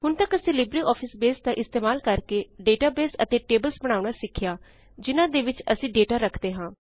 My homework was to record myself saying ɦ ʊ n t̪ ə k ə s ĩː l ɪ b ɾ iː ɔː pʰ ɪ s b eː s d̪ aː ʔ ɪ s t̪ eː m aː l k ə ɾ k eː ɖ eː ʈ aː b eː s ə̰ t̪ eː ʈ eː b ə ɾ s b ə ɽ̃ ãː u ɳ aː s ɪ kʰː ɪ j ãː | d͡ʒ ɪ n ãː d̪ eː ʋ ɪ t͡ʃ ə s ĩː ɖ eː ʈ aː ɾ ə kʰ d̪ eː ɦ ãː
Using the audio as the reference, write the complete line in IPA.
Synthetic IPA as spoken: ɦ ʊ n t̪ ə k ə s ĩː l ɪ b ɾ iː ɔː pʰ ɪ s b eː s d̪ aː ʔ ɪ s t̪ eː m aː l k ə ɾ k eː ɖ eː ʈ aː b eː s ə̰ t̪ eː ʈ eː b ə l s b ə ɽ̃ aː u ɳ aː s ɪ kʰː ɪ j aː | d͡ʒ ɪ n ãː d̪ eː ʋ ɪ t͡ʃ ə s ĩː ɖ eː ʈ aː ɾ ə kʰ d̪ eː ɦ ãː